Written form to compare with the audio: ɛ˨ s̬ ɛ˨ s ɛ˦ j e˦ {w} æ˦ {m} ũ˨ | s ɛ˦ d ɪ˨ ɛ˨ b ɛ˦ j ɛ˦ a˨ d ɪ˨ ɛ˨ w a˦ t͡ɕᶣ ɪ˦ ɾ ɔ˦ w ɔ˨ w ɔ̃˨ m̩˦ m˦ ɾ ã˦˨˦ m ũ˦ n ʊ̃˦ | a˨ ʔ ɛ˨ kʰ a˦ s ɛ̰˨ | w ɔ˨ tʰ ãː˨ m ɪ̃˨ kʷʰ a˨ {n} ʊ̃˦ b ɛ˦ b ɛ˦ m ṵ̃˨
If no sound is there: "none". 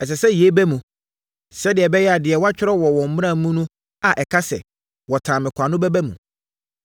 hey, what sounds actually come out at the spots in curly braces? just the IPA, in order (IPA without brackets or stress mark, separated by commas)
b, m, n